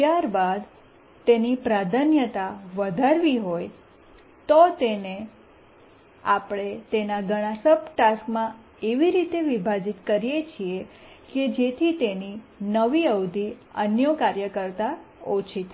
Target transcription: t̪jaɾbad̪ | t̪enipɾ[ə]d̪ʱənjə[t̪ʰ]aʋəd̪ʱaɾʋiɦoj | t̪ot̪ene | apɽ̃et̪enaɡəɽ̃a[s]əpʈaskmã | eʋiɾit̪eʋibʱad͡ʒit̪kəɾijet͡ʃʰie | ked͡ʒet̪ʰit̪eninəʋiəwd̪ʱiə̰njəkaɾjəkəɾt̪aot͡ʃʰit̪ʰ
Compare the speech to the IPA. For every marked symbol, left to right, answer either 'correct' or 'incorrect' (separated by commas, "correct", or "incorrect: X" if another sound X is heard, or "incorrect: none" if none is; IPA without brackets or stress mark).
incorrect: a, incorrect: t̪, correct